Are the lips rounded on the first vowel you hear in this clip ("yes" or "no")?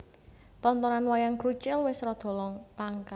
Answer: yes